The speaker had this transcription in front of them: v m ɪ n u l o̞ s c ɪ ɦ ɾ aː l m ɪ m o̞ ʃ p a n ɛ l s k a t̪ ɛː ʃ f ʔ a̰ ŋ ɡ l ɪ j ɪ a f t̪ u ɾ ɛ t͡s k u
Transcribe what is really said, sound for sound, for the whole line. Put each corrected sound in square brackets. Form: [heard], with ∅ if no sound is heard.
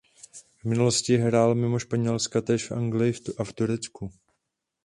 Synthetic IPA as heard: v m ɪ n u l o̞ s c ɪ ɦ ɾ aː l m ɪ m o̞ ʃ p a [ɲ] ɛ l s k a t̪ ɛː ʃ f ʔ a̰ ŋ ɡ l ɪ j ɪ a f t̪ u ɾ ɛ t͡s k u